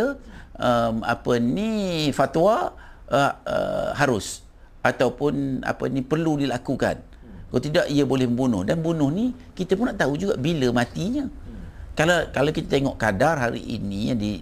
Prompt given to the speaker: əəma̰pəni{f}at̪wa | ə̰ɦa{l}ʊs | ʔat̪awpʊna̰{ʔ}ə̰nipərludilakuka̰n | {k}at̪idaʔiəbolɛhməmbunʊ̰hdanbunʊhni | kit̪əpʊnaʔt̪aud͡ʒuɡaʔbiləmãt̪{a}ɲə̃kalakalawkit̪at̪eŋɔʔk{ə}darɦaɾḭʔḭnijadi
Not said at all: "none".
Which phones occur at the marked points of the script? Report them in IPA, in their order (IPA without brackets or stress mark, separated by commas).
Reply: f, ɾ, p, k, i, a